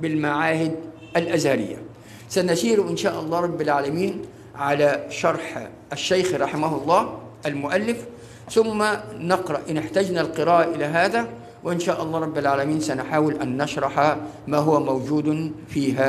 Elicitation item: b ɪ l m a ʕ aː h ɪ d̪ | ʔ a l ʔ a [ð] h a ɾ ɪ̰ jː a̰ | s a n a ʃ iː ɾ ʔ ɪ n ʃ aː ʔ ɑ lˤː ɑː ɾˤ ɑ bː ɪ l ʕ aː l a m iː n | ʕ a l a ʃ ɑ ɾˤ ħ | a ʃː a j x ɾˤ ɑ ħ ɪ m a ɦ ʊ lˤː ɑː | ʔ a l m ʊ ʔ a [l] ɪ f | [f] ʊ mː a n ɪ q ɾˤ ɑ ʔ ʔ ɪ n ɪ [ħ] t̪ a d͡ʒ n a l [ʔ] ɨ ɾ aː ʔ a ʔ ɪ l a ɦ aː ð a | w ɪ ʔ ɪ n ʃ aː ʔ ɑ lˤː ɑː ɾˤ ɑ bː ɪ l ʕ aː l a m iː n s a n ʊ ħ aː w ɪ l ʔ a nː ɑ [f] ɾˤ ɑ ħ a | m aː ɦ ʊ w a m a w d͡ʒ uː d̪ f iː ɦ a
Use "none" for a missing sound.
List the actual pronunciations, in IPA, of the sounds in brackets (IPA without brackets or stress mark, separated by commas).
z, lː, θ, ħ, q, ʃ